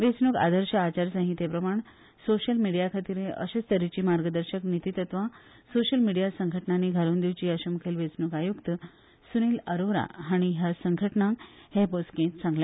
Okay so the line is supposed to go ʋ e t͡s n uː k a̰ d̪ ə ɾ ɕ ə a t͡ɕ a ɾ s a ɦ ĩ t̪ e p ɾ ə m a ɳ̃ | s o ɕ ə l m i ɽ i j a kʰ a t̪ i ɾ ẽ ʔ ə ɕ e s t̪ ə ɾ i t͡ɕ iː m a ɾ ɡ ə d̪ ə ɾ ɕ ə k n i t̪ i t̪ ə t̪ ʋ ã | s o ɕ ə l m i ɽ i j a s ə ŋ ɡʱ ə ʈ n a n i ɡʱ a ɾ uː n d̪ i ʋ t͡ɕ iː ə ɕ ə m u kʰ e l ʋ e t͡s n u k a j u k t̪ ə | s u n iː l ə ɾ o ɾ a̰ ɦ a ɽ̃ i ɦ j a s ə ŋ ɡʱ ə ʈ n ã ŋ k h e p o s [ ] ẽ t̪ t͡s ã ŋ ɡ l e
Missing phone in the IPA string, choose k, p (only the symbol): k